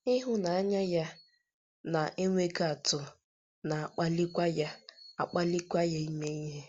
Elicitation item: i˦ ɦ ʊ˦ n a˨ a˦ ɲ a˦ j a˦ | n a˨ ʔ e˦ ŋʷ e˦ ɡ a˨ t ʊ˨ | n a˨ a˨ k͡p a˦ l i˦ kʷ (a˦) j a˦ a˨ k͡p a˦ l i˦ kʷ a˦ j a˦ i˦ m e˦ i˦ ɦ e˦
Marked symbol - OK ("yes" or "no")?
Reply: yes